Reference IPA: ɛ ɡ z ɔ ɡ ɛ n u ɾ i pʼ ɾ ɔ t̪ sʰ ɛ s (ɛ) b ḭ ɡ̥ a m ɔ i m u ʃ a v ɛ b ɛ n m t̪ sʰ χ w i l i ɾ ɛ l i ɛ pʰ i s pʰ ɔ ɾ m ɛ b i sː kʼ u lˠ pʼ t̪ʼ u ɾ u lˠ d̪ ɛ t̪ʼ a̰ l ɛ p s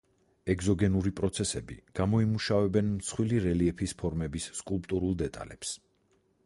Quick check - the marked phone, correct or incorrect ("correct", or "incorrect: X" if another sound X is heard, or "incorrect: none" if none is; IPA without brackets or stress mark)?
correct